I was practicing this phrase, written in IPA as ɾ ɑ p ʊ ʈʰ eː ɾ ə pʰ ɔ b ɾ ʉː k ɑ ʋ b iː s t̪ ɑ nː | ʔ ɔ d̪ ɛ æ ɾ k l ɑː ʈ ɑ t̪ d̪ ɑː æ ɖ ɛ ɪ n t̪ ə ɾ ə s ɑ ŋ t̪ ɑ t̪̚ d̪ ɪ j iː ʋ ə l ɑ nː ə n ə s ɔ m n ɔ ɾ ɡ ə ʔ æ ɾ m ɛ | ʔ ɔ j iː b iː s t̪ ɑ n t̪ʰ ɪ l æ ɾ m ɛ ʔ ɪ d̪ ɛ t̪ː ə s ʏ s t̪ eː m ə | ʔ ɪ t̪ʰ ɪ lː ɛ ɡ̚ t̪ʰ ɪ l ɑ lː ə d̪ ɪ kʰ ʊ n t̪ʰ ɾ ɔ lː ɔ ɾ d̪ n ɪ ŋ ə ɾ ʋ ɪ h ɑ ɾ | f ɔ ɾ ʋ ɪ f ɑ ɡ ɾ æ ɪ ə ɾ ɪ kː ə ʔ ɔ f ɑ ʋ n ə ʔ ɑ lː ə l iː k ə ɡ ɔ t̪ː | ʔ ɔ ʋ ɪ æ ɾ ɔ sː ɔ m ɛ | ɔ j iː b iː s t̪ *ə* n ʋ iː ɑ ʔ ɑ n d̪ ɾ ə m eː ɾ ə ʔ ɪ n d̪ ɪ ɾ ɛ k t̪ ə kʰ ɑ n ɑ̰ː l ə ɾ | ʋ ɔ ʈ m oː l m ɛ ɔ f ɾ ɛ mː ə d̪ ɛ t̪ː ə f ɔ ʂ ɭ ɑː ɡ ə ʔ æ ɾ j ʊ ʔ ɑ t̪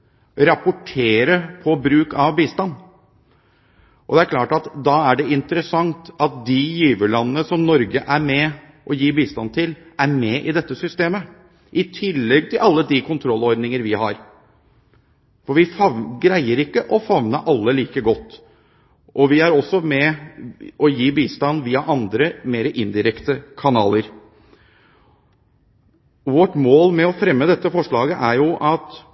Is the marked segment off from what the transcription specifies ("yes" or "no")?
yes